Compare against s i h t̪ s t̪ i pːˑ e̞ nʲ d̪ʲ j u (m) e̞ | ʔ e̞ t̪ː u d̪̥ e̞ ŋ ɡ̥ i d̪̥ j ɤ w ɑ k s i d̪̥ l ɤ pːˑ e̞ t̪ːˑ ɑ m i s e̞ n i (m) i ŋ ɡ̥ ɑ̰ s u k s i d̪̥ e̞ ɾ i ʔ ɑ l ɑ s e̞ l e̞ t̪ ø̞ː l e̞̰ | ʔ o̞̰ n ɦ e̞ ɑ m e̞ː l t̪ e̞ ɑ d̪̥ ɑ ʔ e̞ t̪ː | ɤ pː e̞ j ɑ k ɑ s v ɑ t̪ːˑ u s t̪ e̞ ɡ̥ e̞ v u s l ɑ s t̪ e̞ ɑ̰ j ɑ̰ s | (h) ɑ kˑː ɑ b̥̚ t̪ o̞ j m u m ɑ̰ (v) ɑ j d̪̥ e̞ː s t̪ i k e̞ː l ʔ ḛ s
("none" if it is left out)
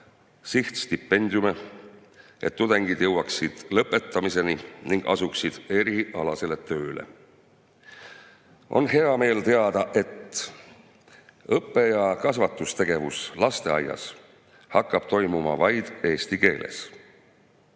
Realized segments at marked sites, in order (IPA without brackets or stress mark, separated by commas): m, n, h, v